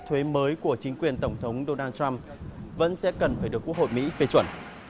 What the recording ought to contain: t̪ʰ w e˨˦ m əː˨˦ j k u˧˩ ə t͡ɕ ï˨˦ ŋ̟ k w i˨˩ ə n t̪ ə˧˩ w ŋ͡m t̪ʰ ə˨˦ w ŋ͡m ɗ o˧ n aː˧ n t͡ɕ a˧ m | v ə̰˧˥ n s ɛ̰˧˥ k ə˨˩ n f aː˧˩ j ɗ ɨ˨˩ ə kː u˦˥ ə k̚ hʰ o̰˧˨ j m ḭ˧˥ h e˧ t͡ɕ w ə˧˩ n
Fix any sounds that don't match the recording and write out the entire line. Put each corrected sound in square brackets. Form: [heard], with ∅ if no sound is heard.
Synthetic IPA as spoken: t̪ʰ w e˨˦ m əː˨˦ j k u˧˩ ə t͡ɕ ï˨˦ ŋ̟ k w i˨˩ ə n t̪ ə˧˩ w ŋ͡m t̪ʰ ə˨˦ w ŋ͡m ɗ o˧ n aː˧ n t͡ɕ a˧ m | v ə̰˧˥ n s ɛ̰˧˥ k ə˨˩ n f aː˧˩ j ɗ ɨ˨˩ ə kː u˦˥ ə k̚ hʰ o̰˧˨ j m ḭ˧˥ [f] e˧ t͡ɕ w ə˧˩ n